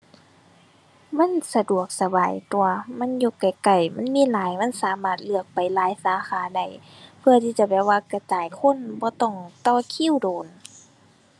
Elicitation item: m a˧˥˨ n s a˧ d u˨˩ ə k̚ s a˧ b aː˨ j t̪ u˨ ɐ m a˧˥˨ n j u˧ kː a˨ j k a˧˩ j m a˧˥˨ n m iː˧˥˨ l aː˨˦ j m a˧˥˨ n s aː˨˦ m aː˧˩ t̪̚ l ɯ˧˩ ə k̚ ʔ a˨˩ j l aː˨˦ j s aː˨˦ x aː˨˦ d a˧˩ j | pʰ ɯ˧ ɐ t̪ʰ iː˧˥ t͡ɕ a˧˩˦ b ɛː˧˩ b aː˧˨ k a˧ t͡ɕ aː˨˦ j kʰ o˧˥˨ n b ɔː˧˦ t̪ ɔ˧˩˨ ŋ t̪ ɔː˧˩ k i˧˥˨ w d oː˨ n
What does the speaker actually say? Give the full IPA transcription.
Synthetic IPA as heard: m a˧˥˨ n s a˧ d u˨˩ ə k̚ s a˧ b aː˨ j t̪ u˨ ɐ m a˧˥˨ n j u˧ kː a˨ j k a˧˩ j m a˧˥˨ n m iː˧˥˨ l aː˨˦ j m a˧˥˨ n s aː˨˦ m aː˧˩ t̪̚ l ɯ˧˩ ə k̚ p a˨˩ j l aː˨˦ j s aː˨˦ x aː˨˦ d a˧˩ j | pʰ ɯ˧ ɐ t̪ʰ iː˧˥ t͡ɕ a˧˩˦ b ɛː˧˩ w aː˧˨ k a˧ t͡ɕ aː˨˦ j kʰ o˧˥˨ n b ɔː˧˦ t̪ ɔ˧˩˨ ŋ t̪ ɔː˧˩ kʰ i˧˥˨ w d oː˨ n

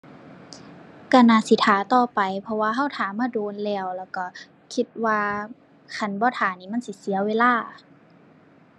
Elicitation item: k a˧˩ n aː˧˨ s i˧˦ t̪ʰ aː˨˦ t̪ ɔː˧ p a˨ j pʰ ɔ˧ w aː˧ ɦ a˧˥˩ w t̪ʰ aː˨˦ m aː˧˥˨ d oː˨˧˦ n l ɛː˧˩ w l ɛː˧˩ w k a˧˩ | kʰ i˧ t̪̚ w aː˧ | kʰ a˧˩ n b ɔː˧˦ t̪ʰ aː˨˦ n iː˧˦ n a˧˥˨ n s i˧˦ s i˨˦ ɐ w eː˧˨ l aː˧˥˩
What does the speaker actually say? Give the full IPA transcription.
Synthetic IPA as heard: k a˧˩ n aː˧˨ s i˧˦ t̪ʰ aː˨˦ t̪ ɔː˧ p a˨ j pʰ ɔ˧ w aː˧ ɦ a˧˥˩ w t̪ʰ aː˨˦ m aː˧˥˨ d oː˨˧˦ n l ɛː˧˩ w l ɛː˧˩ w k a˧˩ | kʰ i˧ t̪̚ w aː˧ | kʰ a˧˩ n b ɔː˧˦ t̪ʰ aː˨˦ n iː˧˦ m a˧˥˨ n s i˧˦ s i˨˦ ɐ w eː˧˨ l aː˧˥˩

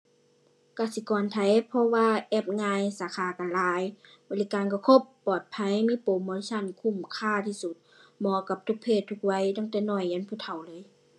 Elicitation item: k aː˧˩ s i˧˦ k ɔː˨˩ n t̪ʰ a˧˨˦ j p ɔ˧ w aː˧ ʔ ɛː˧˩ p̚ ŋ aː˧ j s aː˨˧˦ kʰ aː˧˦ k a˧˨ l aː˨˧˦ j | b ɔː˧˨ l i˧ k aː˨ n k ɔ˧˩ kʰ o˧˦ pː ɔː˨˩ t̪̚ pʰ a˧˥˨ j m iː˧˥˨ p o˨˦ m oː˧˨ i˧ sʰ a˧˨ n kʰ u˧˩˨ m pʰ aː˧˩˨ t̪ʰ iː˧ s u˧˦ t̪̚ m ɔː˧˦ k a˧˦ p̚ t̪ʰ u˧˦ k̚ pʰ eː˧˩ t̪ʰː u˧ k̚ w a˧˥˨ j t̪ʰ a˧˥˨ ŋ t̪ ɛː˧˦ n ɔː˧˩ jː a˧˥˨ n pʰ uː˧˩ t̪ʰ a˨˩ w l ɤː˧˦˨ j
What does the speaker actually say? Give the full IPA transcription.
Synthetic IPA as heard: k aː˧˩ s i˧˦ k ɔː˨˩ n t̪ʰ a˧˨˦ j pʰ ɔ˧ w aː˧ ʔ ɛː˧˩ p̚ ŋ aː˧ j s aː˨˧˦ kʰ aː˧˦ k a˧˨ l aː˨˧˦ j | b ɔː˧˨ l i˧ k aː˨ n k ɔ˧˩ kʰ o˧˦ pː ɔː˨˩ t̪̚ pʰ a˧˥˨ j m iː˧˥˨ p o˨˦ m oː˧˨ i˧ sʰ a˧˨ n kʰ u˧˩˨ m kʰ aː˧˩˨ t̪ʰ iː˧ s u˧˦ t̪̚ m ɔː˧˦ k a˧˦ p̚ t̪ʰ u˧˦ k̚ pʰ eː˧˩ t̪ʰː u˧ k̚ w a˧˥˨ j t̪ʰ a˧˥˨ ŋ t̪ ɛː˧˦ n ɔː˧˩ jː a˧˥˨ n pʰ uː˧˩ t̪ʰ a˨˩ w l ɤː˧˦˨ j

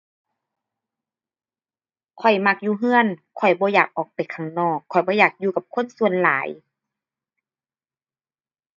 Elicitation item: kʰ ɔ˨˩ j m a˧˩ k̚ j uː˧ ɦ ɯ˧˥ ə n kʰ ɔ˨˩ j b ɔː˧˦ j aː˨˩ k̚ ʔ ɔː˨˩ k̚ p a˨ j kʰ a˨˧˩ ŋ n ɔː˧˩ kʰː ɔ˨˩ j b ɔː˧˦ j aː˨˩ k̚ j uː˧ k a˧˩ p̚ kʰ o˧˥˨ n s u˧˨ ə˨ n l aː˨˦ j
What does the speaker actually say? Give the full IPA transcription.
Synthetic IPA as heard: kʰ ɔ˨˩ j m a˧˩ k̚ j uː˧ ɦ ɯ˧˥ ə n kʰ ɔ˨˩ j b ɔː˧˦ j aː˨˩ k̚ ʔ ɔː˨˩ k̚ p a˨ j kʰ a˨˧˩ ŋ n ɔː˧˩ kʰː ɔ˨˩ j b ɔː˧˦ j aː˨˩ k̚ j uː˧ k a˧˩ p̚ kʰ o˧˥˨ n s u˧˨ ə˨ n l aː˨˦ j

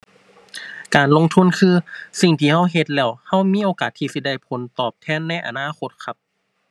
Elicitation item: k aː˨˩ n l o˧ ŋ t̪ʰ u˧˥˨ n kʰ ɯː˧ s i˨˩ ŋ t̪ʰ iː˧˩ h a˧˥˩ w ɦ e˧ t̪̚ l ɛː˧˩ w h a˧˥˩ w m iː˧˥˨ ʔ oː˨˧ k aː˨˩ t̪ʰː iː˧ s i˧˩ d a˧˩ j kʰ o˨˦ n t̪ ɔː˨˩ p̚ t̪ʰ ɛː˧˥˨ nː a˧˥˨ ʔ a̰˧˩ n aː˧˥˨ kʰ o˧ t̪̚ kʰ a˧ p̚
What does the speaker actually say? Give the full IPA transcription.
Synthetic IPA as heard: k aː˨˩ n l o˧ ŋ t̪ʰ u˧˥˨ n kʰ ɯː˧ s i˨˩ ŋ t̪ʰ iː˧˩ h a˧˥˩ w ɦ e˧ t̪̚ l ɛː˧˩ w h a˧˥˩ w m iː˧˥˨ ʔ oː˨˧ k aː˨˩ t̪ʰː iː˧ s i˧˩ d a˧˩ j pʰ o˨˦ n t̪ ɔː˨˩ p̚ t̪ʰ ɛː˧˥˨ nː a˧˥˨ ʔ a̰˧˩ n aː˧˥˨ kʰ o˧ t̪̚ kʰ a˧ p̚

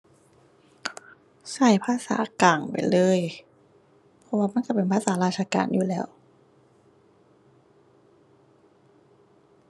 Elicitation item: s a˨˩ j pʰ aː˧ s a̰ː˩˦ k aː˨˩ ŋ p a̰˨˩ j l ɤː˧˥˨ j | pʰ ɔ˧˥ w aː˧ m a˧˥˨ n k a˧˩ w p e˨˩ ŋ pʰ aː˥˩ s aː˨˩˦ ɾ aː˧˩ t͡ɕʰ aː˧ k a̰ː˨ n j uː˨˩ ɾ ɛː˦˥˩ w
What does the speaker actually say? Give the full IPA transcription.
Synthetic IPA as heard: s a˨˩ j pʰ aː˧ s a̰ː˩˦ k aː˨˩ ŋ p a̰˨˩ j l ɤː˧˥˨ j | pʰ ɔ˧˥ w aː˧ m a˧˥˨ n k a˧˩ p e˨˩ n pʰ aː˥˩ s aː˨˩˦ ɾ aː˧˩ t͡ɕʰ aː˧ k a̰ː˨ n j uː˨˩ l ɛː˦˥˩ w

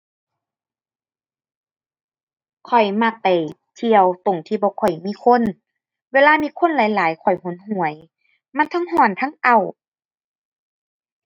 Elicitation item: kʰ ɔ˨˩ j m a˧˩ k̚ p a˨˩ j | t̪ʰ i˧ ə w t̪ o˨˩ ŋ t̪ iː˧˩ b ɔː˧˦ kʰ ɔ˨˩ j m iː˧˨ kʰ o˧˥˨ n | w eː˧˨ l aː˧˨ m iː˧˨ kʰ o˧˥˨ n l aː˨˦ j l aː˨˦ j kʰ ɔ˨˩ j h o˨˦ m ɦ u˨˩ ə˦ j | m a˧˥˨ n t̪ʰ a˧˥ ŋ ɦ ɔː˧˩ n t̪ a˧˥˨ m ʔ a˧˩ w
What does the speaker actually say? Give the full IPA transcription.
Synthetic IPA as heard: kʰ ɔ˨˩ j m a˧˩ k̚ p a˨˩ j | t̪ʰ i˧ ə w t̪ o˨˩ ŋ t̪ʰ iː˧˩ b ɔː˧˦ kʰ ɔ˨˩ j m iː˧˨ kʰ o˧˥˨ n | w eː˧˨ l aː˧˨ m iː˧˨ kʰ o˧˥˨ n l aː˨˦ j l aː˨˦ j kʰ ɔ˨˩ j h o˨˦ n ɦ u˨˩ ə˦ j | m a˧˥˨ n t̪ʰ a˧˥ ŋ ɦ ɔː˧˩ n t̪ʰ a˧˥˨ ŋ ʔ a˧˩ w

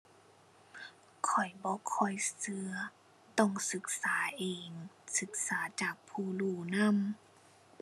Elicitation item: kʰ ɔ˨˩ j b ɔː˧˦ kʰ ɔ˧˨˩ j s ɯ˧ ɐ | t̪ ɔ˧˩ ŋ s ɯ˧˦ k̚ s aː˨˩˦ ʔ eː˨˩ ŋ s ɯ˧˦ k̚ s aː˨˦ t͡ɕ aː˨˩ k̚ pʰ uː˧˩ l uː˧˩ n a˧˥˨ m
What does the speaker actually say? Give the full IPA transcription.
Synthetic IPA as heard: kʰ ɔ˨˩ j b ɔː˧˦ kʰ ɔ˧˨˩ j s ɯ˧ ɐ | t̪ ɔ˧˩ ŋ s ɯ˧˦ k̚ s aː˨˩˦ ʔ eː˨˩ ŋ s ɯ˧˦ k̚ s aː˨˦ t͡ɕ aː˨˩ k̚ pʰ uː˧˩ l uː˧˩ n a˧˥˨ m

